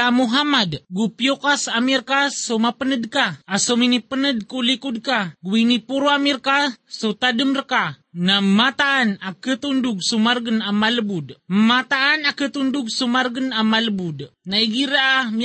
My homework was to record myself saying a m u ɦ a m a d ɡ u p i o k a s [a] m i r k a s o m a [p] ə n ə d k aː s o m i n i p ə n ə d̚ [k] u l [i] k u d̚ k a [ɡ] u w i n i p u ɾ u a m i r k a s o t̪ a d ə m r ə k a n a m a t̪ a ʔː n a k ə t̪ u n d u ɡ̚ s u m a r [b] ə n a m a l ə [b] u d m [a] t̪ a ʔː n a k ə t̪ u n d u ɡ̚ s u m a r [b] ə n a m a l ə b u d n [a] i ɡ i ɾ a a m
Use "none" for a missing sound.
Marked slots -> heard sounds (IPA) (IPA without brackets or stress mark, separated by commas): a, p, k, i, ɡ, ɡ, b, a, ɡ, a